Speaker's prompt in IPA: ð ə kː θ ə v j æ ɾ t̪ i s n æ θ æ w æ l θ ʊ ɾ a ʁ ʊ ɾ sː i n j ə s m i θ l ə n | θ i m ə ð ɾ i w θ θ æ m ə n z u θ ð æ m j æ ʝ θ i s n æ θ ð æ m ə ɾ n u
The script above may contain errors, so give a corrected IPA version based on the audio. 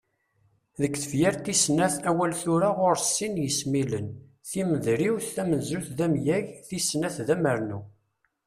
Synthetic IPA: ð ə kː θ ə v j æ ɾ t̪ i s n æ θ æ w æ l θ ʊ ɾ a ʁ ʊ ɾ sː i n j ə s m i l ə n | θ i m ə ð ɾ i w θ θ æ m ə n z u θ ð æ m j æ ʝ θ i s n æ θ ð æ m ə ɾ n u